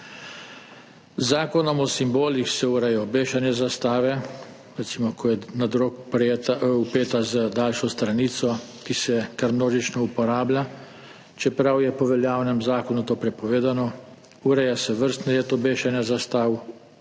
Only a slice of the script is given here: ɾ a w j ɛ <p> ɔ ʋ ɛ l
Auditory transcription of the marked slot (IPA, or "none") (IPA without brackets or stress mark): p